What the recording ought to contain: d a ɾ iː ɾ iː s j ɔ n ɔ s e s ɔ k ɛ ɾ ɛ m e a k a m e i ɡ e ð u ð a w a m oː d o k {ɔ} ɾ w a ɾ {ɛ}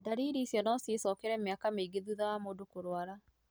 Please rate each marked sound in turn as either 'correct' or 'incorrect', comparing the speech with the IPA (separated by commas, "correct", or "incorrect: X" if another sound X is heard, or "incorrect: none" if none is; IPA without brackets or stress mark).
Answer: incorrect: o, incorrect: a